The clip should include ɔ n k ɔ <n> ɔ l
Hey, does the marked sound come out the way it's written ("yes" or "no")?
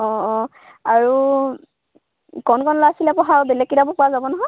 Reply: yes